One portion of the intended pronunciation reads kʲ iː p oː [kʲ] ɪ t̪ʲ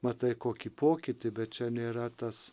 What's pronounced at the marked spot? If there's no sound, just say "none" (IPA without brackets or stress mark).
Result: kʲ